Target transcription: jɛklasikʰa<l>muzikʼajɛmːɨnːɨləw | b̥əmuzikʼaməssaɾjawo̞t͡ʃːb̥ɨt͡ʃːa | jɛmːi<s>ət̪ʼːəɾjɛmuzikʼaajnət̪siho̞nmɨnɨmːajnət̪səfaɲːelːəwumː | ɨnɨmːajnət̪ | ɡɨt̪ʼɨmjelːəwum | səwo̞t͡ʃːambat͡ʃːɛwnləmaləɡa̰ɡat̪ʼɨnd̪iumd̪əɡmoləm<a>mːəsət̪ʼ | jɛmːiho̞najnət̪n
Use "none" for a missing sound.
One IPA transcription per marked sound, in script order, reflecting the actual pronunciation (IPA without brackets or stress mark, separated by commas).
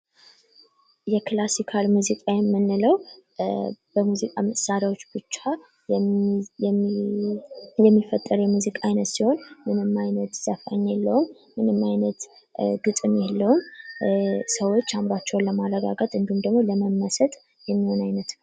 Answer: l, f, ə